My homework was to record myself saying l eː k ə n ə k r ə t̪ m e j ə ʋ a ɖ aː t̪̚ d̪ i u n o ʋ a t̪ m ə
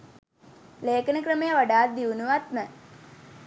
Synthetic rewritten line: l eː k ə n ə k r ə m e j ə ʋ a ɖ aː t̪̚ d̪ i u n u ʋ a t̪ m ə